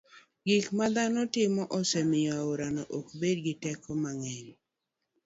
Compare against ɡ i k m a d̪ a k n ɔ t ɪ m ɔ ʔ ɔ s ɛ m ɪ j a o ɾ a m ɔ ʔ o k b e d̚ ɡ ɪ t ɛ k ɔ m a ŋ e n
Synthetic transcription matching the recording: ɡ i k m a d̪ a n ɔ t ɪ m ɔ ʔ ɔ s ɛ m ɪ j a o ɾ a n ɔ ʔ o k b e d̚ ɡ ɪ t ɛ k ɔ m a ŋ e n